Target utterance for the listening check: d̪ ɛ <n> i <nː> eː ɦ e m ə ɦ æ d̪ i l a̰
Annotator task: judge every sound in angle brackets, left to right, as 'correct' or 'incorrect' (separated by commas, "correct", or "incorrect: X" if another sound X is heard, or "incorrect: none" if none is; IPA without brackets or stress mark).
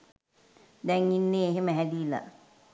incorrect: ŋ, correct